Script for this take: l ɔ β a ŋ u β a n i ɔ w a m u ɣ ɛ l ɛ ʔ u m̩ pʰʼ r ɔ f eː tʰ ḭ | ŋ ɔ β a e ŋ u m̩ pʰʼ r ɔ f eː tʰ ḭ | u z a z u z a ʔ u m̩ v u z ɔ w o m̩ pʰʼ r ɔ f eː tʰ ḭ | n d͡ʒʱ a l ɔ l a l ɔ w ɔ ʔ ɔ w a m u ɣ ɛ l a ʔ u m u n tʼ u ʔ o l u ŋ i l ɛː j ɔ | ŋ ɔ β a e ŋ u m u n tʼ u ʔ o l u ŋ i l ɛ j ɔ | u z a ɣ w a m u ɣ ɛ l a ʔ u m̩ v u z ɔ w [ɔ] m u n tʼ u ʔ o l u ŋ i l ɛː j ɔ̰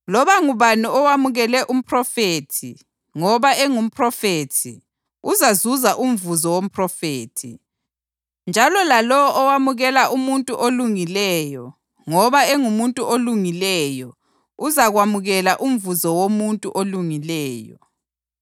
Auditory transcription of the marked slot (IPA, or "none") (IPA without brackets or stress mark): o